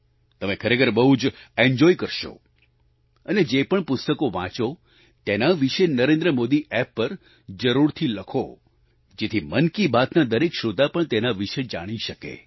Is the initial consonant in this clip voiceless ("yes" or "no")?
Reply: yes